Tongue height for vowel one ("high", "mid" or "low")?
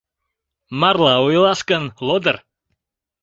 low